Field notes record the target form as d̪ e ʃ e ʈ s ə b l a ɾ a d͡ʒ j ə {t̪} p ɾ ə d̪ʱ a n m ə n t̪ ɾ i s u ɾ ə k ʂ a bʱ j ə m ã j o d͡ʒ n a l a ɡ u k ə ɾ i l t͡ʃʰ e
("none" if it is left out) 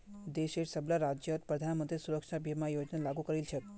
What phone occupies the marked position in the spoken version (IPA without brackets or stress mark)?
t̪